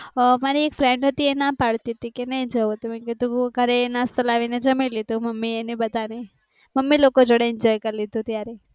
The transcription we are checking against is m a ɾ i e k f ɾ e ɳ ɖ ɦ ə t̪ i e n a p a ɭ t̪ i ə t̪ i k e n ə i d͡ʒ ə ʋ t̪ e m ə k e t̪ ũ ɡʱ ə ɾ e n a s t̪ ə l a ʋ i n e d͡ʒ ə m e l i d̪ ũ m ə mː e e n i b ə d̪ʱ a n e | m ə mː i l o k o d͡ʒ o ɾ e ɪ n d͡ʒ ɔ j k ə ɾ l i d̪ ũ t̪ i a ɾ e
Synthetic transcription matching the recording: m a ɾ i e k f ɾ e ɳ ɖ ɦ ə t̪ i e n a p a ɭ t̪ i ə t̪ i k e n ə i d͡ʒ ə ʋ t̪ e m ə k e t̪ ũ ɡʱ ə ɾ e n a s t̪ ə l a ʋ i n e d͡ʒ ə m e l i d̪ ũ m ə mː i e n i b ə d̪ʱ a n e | m ə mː i l o k o d͡ʒ o ɽ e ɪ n d͡ʒ ɔ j k ə ɾ l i d̪ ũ t̪ j a ɾ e